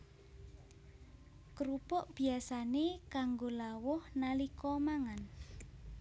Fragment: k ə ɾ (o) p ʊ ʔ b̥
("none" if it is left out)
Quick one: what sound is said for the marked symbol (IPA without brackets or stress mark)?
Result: u